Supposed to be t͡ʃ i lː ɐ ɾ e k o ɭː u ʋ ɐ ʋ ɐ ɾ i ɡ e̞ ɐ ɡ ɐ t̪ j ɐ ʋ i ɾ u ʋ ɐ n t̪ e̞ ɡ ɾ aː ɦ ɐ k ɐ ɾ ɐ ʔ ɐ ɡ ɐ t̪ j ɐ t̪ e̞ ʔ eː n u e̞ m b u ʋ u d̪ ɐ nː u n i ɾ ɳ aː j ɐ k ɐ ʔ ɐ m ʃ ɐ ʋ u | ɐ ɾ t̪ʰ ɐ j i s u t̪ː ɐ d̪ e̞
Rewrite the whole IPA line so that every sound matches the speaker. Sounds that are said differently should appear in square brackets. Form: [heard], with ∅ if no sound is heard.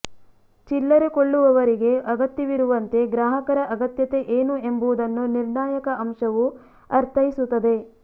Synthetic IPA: t͡ʃ i lː ɐ ɾ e k o ɭː u ʋ ɐ ʋ ɐ ɾ i ɡ e̞ ɐ ɡ ɐ t̪ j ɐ ʋ i ɾ u ʋ ɐ n t̪ e̞ ɡ ɾ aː ɦ ɐ k ɐ ɾ ɐ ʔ ɐ ɡ ɐ t̪ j ɐ t̪ e̞ ʔ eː n u e̞ m b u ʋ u d̪ ɐ nː u n i ɾ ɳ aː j ɐ k ɐ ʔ ɐ m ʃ ɐ ʋ u | ɐ ɾ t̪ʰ ɐ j i s u t̪ː ɐ d̪ e̞

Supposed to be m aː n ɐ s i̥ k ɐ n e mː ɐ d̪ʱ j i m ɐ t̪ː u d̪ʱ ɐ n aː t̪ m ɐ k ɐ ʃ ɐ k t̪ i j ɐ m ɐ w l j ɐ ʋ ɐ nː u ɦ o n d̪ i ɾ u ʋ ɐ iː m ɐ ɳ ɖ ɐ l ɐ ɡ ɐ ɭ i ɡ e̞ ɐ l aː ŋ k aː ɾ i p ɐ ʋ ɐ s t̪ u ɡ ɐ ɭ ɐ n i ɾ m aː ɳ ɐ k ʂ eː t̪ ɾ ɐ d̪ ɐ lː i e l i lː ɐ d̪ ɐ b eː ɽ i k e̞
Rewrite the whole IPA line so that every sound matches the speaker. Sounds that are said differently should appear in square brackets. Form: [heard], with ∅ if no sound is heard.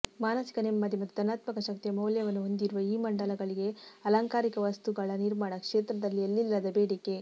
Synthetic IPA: m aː n ɐ s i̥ k ɐ n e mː ɐ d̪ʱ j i m ɐ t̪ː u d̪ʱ ɐ n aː t̪ m ɐ k ɐ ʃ ɐ k t̪ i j ɐ m ɐ w l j ɐ ʋ ɐ nː u ɦ o n d̪ i ɾ u ʋ ɐ iː m ɐ ɳ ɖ ɐ l ɐ ɡ ɐ ɭ i ɡ e̞ ɐ l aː ŋ k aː ɾ i [k] ɐ ʋ ɐ s t̪ u ɡ ɐ ɭ ɐ n i ɾ m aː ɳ ɐ k ʂ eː t̪ ɾ ɐ d̪ ɐ lː i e [lː] i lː ɐ d̪ ɐ b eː ɽ i k e̞

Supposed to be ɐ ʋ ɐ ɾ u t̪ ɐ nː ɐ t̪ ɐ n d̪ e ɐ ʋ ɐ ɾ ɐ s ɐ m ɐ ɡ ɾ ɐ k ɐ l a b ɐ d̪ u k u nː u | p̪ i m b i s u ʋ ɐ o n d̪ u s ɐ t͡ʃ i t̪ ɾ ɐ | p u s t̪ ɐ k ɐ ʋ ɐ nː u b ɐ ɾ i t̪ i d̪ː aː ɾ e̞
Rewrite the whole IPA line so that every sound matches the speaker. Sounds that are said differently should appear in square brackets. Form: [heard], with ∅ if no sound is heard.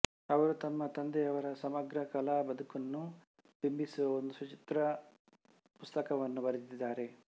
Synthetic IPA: ɐ ʋ ɐ ɾ u t̪ ɐ [mː] ɐ t̪ ɐ n d̪ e ɐ ʋ ɐ ɾ ɐ s ɐ m ɐ ɡ ɾ ɐ k ɐ l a b ɐ d̪ u k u nː u | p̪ i m b i s u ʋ ɐ o n d̪ u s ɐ t͡ʃ i t̪ ɾ ɐ | p u s t̪ ɐ k ɐ ʋ ɐ nː u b ɐ ɾ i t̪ i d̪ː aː ɾ e̞

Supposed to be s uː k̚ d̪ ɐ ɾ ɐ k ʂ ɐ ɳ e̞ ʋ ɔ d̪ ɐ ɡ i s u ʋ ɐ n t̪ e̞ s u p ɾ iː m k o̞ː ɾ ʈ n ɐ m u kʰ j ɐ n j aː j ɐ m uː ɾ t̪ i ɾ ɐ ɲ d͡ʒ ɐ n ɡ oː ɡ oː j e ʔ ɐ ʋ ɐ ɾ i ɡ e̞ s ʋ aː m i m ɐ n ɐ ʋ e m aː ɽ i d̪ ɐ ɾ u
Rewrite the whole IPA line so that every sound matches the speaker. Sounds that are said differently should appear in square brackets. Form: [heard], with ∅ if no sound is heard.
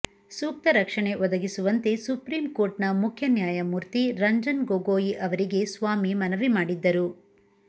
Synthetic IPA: s uː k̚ [t̪] ɐ ɾ ɐ k ʂ ɐ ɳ e̞ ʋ ɔ d̪ ɐ ɡ i s u ʋ ɐ n t̪ e̞ s u p ɾ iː m k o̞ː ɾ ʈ n ɐ m u kʰ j ɐ n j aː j ɐ m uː ɾ t̪ i ɾ ɐ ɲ d͡ʒ ɐ n ɡ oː ɡ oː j [i] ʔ ɐ ʋ ɐ ɾ i ɡ e̞ s ʋ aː m i m ɐ n ɐ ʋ [i] m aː ɽ i [d̪ː] ɐ ɾ u

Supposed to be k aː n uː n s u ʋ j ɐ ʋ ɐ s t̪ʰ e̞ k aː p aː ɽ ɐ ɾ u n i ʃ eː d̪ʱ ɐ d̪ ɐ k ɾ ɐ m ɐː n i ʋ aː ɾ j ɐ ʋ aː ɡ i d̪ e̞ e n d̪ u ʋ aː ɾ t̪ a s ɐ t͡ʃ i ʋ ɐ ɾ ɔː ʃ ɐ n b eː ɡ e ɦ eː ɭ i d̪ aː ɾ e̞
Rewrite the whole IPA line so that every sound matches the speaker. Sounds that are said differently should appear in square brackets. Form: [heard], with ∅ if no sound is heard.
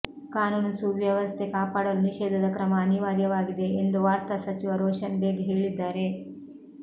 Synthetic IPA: k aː n uː n s u ʋ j ɐ ʋ ɐ s t̪ʰ e̞ k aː p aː ɽ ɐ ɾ u n i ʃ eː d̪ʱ ɐ d̪ ɐ k ɾ ɐ m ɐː n i ʋ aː ɾ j ɐ ʋ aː ɡ i d̪ e̞ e n d̪ u ʋ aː ɾ t̪ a s ɐ t͡ʃ i ʋ ɐ ɾ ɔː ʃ ɐ n b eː ɡ e ɦ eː ɭ i [d̪ː] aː ɾ e̞

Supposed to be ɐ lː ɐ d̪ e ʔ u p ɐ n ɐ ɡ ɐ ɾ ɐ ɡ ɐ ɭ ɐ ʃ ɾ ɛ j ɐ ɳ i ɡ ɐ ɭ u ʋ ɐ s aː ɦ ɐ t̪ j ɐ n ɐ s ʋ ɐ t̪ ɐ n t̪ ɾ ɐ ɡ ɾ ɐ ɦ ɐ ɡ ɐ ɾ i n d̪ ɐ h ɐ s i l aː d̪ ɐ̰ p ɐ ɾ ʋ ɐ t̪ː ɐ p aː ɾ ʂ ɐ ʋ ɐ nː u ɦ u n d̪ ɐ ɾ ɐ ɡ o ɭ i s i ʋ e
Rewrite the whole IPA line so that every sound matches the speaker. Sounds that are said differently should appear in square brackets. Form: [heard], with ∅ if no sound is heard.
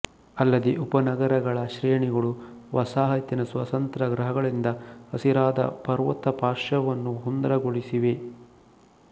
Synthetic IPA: ɐ lː ɐ d̪ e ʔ u p ɐ n ɐ ɡ ɐ ɾ ɐ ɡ ɐ ɭ ɐ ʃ ɾ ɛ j ɐ ɳ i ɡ ɐ ɭ u ʋ ɐ s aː ɦ ɐ t̪ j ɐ n ɐ s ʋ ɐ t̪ ɐ n t̪ ɾ ɐ ɡ ɾ ɐ ɦ ɐ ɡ ɐ [ɭ] i n d̪ ɐ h ɐ s i [ɾ] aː d̪ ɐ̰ p ɐ ɾ ʋ ɐ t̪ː ɐ p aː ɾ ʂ ɐ ʋ ɐ nː u ɦ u n d̪ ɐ ɾ ɐ ɡ o ɭ i s i ʋ e

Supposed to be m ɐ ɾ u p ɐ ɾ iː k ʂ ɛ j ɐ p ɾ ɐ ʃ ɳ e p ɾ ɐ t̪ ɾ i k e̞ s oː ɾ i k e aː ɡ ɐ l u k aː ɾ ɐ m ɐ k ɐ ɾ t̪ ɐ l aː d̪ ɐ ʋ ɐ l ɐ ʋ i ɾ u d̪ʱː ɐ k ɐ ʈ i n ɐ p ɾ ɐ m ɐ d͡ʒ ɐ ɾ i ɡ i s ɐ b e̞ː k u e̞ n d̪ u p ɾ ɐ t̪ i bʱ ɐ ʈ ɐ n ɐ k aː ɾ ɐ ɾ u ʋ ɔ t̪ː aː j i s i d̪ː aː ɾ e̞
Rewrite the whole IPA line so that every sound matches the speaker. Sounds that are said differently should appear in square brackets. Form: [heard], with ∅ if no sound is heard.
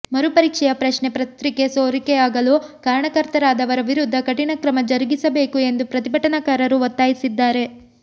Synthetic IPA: m ɐ ɾ u p ɐ ɾ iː k ʂ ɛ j ɐ p ɾ ɐ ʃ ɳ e p ɾ ɐ t̪ ɾ i k e̞ s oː ɾ i k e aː ɡ ɐ l u k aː ɾ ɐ [ɳ] ɐ k ɐ ɾ t̪ ɐ [ɾ] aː d̪ ɐ ʋ ɐ [ɾ] ɐ ʋ i ɾ u d̪ʱː ɐ k ɐ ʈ i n ɐ [k] ɾ ɐ m ɐ d͡ʒ ɐ ɾ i ɡ i s ɐ b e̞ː k u e̞ n d̪ u p ɾ ɐ t̪ i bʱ ɐ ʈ ɐ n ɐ k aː ɾ ɐ ɾ u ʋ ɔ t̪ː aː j i s i d̪ː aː ɾ e̞

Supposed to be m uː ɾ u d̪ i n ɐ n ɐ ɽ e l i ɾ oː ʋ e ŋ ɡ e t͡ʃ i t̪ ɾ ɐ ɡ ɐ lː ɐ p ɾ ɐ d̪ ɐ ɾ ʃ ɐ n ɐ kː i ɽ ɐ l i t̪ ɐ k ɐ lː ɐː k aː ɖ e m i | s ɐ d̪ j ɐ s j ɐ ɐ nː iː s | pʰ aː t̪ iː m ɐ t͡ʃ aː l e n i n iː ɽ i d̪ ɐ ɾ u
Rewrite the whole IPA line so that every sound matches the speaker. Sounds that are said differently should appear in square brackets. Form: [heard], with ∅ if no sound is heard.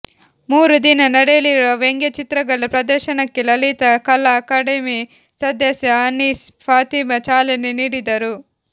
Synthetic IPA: m uː ɾ u d̪ i n ɐ n ɐ ɽ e l i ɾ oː ʋ e ŋ ɡ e t͡ʃ i t̪ ɾ ɐ ɡ ɐ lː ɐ p ɾ ɐ d̪ ɐ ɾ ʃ ɐ n ɐ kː i [l] ɐ l i t̪ ɐ k ɐ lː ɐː k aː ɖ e m i | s ɐ d̪ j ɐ s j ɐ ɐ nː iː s | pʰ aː t̪ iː m ɐ t͡ʃ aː l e n i n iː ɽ i d̪ ɐ ɾ u

